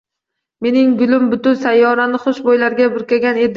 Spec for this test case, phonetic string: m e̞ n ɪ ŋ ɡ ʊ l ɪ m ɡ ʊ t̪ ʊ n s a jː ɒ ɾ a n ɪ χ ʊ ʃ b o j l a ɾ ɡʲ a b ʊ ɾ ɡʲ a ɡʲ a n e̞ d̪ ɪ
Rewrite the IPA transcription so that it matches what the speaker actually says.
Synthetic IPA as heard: m e̞ n ɪ ŋ ɡ ʊ l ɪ m b ʊ t̪ ʊ n s a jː ɒ ɾ a n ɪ χ ʊ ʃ b o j l a ɾ ɡʲ a b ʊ ɾ kʲ a ɡʲ a n e̞ d̪ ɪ